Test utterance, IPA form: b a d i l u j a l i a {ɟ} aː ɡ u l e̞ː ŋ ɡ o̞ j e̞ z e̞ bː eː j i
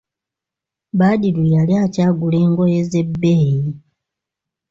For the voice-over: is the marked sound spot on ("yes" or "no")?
no